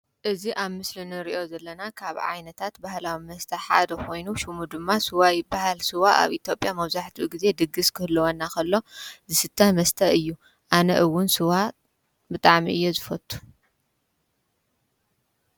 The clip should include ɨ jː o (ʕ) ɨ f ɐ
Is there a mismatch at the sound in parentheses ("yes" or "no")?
yes